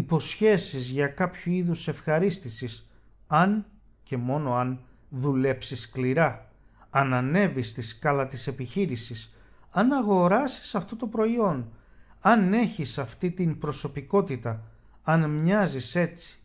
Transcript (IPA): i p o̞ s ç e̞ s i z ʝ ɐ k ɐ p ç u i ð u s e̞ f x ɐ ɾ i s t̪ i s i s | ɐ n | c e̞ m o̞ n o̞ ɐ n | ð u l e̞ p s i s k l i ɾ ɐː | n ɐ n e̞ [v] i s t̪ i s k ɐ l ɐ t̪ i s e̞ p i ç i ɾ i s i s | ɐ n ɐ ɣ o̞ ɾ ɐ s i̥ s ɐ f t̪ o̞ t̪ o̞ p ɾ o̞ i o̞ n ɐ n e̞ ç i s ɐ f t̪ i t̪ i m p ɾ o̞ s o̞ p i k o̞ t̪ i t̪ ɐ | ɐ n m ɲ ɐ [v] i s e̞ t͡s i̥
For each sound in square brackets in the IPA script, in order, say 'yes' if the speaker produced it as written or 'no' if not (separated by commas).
yes, no